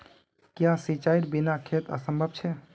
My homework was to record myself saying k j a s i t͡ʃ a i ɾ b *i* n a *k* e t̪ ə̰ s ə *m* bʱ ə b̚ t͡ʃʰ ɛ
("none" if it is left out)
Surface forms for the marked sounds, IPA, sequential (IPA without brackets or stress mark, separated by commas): i, kʰ, m